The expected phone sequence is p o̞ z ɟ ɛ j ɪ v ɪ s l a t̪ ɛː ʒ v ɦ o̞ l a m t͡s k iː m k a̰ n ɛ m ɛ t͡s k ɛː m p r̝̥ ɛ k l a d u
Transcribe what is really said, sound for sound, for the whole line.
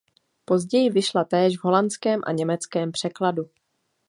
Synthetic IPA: p o̞ z ɟ ɛ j ɪ v ɪ ʃ l a t̪ ɛː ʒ v ɦ o̞ l a n t͡s k ɛː m ʔ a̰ ɲ ɛ m ɛ t͡s k ɛː m p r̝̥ ɛ k l a d u